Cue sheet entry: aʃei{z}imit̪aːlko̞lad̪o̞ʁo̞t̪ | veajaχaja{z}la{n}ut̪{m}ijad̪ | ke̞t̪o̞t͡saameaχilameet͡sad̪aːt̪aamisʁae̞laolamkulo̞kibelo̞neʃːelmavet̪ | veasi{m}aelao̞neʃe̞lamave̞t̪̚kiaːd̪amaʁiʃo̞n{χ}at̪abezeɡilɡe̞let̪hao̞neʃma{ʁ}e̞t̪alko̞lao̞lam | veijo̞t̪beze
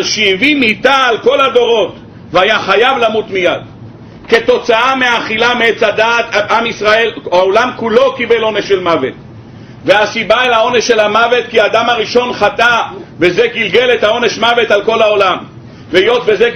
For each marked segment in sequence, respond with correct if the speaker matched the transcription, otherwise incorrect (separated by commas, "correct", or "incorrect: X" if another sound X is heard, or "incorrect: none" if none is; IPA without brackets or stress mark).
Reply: incorrect: v, incorrect: v, incorrect: m, correct, incorrect: b, correct, incorrect: v